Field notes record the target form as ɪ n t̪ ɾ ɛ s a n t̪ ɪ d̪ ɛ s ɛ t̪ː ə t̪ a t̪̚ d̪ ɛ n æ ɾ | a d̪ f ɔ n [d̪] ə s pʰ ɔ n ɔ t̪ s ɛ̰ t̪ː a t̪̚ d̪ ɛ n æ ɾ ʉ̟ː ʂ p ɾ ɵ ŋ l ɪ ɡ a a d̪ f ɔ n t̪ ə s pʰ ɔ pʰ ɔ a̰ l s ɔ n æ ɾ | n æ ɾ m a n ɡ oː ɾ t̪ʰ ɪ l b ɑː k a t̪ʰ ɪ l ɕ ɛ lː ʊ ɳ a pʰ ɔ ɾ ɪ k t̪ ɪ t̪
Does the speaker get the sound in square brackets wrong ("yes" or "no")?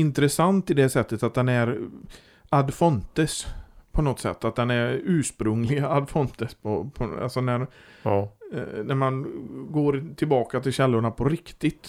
yes